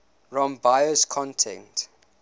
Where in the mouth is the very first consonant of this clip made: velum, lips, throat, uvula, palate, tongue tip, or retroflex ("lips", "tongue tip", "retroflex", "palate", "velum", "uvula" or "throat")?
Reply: tongue tip